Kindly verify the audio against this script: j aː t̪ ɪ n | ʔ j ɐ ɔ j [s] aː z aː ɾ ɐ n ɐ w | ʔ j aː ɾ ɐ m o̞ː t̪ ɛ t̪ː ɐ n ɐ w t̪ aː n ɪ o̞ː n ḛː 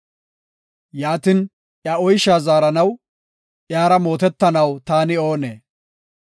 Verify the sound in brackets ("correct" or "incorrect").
incorrect